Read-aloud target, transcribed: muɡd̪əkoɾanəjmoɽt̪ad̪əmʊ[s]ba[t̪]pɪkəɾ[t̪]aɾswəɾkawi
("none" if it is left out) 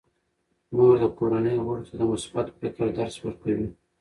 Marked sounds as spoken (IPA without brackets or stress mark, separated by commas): s, t̪, d̪